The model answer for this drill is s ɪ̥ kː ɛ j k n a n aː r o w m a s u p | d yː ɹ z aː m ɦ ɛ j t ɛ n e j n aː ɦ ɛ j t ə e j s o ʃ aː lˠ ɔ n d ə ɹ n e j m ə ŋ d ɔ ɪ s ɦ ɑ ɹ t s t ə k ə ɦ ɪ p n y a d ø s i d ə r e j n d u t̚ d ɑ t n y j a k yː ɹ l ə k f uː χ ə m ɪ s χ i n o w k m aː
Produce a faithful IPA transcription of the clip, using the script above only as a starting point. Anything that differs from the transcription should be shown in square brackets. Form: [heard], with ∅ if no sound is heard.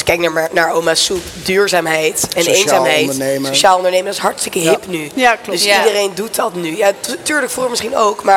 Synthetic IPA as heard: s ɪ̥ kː ɛ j k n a n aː [ɹ] o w m a s u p | d yː ɹ z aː m ɦ ɛ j t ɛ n e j n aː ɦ ɛ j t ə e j s o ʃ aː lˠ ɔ n d ə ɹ n e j m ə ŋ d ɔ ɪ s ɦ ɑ ɹ t s t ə k ə ɦ ɪ p n y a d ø s i d ə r e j n d u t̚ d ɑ t n y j a [t] yː ɹ l ə k f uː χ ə m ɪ s χ i n o w k m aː